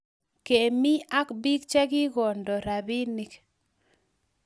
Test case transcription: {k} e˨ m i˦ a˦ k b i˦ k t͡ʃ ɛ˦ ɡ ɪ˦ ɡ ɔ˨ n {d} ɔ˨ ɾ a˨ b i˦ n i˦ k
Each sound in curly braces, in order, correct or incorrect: correct, correct

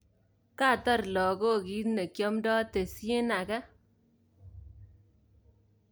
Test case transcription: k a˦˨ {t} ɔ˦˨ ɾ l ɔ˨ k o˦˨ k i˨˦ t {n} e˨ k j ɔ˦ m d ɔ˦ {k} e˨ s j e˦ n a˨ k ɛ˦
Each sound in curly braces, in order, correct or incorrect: correct, correct, incorrect: t

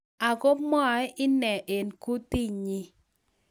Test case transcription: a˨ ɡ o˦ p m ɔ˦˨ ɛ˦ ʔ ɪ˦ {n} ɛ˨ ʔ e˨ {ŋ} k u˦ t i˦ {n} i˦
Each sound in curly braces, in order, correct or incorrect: correct, incorrect: n, incorrect: ɲ

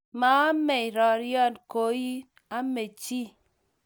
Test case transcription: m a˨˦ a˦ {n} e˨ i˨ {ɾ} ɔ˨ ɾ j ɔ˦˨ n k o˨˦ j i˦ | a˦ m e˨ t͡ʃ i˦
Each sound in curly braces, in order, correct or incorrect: incorrect: m, correct

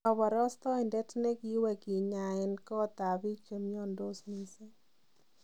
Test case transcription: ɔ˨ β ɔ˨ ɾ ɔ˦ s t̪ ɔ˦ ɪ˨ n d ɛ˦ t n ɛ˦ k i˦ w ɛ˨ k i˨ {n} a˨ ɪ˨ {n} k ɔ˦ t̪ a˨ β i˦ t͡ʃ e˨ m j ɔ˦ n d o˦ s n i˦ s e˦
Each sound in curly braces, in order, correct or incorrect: incorrect: ɲ, correct

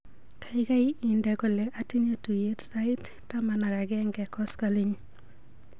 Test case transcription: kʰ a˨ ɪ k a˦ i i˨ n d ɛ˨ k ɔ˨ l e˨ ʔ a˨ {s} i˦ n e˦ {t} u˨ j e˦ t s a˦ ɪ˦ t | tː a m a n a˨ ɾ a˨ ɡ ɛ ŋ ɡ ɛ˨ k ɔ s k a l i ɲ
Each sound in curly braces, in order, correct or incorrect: incorrect: t, correct

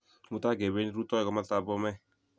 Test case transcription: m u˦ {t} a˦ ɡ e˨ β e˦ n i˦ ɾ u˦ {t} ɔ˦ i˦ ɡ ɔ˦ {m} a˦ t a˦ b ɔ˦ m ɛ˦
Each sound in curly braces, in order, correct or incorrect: correct, correct, correct

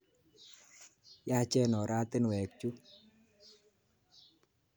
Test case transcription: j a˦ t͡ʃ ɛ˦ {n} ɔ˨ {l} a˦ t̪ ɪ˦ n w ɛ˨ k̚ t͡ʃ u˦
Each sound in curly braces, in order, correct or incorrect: correct, incorrect: ɾ

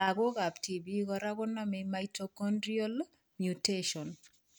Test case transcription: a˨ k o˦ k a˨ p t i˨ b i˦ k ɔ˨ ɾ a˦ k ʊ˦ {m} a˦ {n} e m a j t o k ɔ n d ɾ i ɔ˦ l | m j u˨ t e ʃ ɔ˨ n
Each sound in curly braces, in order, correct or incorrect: incorrect: n, incorrect: m

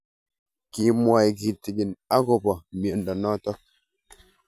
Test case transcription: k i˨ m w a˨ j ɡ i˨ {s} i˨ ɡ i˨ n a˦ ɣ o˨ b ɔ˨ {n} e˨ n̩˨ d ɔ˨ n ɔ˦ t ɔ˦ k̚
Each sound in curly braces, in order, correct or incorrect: incorrect: t, incorrect: m

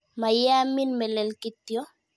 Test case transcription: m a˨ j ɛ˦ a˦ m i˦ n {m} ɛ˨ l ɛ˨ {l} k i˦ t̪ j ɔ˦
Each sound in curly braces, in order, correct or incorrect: correct, correct

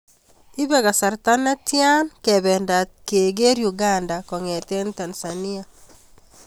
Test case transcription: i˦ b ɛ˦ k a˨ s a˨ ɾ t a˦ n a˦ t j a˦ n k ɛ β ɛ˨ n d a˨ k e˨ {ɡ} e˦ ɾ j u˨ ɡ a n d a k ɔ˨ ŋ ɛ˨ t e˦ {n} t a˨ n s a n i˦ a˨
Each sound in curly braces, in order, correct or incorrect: correct, correct

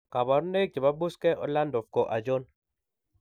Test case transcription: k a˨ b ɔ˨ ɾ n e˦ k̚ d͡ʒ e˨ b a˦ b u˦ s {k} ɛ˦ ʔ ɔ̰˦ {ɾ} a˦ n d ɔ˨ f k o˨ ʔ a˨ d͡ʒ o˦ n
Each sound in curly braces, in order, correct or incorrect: correct, incorrect: l

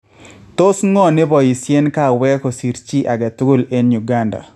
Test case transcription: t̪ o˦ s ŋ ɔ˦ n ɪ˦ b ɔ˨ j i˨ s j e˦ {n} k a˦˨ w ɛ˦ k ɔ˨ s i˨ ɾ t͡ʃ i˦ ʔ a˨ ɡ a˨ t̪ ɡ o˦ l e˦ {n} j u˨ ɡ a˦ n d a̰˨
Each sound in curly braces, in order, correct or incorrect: correct, correct

